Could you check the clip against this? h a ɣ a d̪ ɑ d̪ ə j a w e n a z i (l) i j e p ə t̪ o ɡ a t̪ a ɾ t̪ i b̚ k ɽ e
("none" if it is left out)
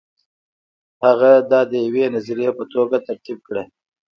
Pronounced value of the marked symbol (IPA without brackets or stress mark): ɾ